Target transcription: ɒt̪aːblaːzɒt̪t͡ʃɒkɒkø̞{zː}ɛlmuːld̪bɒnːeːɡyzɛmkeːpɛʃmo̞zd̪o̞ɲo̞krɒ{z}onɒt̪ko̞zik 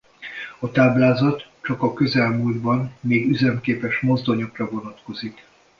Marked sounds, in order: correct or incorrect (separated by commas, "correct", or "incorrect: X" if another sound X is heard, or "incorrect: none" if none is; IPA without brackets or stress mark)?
incorrect: z, incorrect: v